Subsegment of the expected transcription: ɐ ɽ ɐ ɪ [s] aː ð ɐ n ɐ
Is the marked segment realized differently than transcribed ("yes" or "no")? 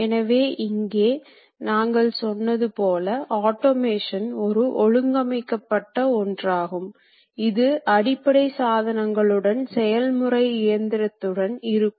no